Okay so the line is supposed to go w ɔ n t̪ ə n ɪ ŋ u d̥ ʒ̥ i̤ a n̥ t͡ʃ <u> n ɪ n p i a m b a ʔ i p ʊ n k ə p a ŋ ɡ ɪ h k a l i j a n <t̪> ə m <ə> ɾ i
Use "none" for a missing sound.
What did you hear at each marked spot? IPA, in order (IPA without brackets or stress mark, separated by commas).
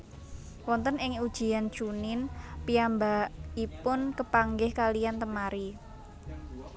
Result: u, t̪, a